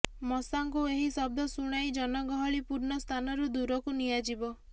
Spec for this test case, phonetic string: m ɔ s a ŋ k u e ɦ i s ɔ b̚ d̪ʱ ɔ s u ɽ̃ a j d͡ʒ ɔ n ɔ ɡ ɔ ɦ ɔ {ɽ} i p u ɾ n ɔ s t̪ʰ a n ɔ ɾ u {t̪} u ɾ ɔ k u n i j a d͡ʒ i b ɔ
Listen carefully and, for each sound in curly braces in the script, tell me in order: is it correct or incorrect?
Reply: incorrect: ɭ, incorrect: d̪

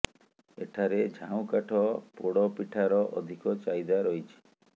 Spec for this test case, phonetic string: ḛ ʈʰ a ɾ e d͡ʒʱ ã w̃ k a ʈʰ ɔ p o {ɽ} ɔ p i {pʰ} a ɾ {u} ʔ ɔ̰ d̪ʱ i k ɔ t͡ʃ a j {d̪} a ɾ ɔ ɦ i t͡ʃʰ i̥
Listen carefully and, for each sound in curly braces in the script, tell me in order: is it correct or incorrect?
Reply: correct, incorrect: ʈʰ, incorrect: ɔ, correct

